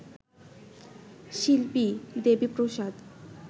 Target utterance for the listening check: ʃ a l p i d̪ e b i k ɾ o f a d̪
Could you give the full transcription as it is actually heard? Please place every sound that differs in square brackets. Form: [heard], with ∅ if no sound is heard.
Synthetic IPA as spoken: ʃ [i] l p i d̪ e b i [p] ɾ o [ʃ] a d̪